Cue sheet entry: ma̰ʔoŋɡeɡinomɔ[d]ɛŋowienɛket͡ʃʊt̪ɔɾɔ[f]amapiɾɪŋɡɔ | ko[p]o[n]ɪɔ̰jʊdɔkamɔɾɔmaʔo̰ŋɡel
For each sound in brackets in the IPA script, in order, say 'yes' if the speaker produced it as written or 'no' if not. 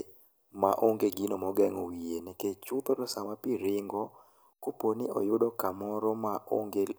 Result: no, no, yes, yes

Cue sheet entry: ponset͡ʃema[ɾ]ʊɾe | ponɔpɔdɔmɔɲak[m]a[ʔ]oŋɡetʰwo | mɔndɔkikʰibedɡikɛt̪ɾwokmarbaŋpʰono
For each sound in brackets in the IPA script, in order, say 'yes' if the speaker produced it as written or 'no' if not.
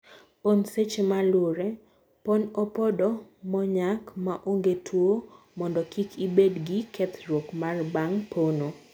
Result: no, yes, yes

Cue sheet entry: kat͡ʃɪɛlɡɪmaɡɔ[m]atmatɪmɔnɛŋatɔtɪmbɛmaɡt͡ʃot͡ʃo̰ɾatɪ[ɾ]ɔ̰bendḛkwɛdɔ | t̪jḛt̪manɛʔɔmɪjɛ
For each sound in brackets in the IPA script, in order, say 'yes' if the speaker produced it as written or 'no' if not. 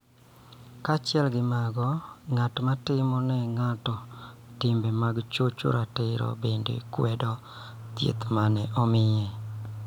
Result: no, yes

